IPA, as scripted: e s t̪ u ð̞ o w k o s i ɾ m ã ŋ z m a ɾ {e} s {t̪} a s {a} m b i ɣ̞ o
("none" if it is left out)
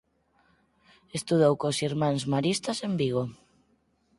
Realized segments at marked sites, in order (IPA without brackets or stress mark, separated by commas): i, t̪, e